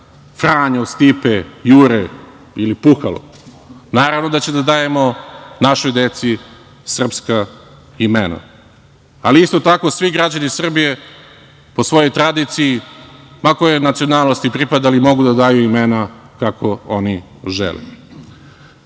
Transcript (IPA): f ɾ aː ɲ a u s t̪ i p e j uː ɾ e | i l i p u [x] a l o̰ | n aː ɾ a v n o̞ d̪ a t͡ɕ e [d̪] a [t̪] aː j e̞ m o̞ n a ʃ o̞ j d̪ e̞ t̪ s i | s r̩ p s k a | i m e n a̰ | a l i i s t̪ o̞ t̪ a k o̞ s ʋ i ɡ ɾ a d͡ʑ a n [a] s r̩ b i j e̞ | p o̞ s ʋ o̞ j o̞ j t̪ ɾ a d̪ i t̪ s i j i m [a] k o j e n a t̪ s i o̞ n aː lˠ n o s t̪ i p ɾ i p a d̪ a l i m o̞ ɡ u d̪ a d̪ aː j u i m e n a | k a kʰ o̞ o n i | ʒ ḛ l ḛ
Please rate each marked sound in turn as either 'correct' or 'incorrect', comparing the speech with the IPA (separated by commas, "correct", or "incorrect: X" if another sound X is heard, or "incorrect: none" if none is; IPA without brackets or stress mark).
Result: correct, correct, incorrect: d̪, incorrect: i, correct